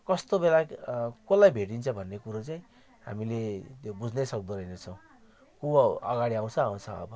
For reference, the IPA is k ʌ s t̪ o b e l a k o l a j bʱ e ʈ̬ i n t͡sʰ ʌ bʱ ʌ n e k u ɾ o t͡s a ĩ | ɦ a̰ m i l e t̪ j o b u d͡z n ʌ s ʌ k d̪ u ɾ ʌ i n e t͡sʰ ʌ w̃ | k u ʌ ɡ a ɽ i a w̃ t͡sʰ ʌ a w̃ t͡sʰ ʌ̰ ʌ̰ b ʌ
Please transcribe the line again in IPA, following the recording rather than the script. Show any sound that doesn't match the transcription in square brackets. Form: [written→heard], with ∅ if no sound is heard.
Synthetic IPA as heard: k ʌ s t̪ o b e l a k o l a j bʱ e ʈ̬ i n t͡sʰ ʌ bʱ ʌ [n→nː] e k u ɾ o t͡s a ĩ | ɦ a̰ m i l e t̪ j o b u d͡z n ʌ s ʌ k d̪ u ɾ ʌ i n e t͡sʰ ʌ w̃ | k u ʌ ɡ a ɽ i a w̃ t͡sʰ ʌ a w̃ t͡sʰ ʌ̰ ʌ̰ b ʌ